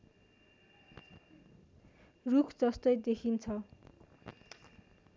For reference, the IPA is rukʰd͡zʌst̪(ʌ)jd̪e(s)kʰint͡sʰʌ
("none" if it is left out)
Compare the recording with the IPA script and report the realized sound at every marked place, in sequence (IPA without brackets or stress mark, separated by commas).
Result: ʌ, none